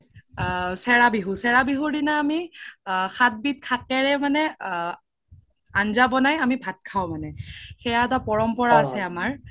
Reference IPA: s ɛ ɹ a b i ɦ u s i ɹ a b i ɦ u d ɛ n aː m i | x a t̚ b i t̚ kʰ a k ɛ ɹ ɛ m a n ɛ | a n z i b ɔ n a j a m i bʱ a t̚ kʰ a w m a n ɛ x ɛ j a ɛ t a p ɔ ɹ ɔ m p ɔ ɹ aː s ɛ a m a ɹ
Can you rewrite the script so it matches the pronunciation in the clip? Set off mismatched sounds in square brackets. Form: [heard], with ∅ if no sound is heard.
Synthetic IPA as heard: s ɛ ɹ a b i ɦ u s [ɛ] ɹ a b i ɦ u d [i] n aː m i | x a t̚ b i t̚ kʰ a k ɛ ɹ ɛ m a n ɛ | a n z [a] b ɔ n a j a m i bʱ a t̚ kʰ a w m a n ɛ x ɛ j a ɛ t a p ɔ ɹ ɔ m p ɔ ɹ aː s ɛ a m a ɹ